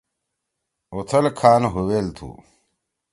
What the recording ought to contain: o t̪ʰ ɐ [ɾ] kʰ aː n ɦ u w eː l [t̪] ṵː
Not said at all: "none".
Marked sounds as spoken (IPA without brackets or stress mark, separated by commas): l, t̪ʰ